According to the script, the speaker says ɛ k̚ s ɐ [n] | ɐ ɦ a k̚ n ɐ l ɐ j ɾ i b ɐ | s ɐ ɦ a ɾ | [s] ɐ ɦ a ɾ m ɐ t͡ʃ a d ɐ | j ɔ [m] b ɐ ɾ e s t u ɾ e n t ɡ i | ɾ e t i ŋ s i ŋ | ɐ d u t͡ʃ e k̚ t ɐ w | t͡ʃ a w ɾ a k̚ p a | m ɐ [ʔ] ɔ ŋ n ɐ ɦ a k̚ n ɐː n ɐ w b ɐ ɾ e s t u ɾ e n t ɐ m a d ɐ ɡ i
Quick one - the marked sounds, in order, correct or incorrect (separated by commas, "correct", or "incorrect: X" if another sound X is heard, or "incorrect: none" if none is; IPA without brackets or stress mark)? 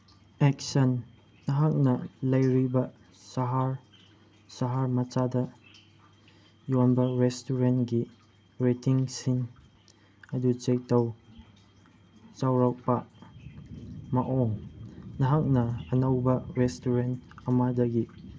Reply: incorrect: nː, correct, incorrect: n, correct